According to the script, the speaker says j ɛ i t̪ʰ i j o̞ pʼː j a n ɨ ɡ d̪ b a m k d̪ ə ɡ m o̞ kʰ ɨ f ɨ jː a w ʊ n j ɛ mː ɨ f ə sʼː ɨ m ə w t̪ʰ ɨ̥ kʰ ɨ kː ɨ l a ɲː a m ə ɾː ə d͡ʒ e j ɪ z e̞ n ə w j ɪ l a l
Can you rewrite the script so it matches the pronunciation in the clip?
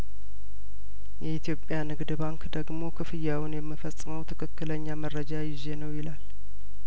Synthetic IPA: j ɛ i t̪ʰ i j o̞ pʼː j a n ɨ ɡ d̪ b a ŋ k d̪ ə ɡ m o̞ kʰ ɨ f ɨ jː a w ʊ n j ɛ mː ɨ f ə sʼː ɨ m ə w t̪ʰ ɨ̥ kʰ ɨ kː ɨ l ə ɲː a m ə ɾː ə d͡ʒ a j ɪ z e̞ n ə w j ɪ l a l